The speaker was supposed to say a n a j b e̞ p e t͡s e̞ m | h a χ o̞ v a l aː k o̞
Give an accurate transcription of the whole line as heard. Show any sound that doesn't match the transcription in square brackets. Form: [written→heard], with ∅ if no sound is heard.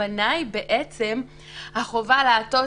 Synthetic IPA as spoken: a n a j b e̞ [p→ʔ] e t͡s e̞ m | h a χ o̞ v a l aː [k→t] o̞